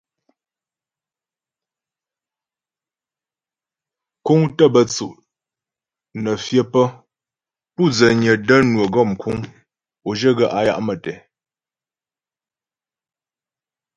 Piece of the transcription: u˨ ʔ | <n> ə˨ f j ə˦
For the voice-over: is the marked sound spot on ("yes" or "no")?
yes